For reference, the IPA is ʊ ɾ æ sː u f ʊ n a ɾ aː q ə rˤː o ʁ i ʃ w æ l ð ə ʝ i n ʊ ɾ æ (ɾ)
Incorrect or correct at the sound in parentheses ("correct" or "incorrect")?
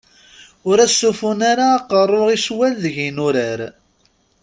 correct